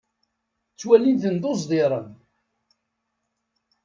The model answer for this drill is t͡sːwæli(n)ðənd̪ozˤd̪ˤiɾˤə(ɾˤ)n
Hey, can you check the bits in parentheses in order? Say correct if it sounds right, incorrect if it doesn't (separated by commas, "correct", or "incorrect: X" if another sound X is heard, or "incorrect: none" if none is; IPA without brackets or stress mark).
correct, incorrect: none